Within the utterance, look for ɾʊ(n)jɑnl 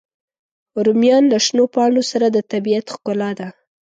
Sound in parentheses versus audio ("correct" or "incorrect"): incorrect